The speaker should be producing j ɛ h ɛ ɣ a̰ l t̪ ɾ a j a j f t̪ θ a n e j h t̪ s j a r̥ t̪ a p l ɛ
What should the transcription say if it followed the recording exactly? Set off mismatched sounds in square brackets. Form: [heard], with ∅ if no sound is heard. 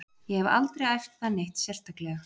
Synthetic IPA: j ɛ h ɛ [v] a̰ l t̪ ɾ [e] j a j f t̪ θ a n e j h t̪ s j [ɛ] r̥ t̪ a [k] l ɛ